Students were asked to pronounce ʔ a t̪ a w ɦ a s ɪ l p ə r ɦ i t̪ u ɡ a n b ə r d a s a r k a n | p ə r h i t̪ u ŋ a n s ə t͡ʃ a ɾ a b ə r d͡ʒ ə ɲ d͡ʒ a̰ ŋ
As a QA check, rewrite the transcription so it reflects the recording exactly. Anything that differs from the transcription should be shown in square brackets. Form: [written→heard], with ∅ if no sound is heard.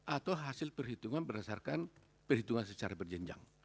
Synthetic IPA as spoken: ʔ a t̪ a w ɦ a s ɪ l p ə r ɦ i t̪ u [ɡ→ŋ] a n b ə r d a s a r k a n | p ə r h i t̪ u ŋ a n s ə t͡ʃ a ɾ a b ə r d͡ʒ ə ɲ d͡ʒ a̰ ŋ